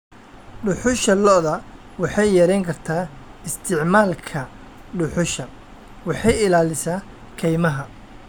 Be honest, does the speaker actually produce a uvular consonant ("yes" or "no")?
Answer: no